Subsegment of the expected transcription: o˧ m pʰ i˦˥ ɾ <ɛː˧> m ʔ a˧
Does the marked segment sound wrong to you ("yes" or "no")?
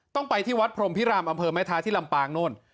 yes